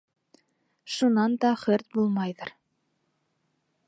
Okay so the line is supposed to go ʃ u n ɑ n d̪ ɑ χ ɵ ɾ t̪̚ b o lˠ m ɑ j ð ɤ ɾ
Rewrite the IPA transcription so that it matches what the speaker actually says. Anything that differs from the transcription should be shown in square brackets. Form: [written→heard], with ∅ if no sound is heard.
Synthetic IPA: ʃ u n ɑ n d̪ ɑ χ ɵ ɾ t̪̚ b [o→u] lˠ m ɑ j ð ɤ ɾ